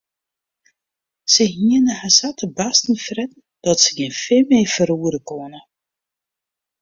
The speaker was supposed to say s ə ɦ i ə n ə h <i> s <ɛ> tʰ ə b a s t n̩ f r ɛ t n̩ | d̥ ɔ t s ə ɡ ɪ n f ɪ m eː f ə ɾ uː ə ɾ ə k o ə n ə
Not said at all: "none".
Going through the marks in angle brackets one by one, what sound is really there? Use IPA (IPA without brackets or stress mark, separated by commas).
a, a